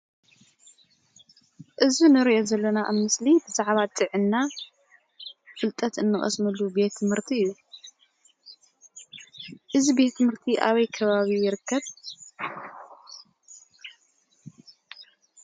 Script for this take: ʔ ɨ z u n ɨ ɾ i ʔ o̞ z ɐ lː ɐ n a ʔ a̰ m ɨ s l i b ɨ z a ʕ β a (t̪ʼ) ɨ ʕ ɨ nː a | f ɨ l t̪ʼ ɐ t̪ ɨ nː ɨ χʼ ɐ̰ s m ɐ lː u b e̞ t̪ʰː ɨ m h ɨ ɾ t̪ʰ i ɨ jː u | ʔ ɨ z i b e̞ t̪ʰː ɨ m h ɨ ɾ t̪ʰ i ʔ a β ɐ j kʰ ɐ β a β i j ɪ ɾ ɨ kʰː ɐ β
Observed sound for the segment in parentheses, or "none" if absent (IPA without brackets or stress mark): t̪ʼ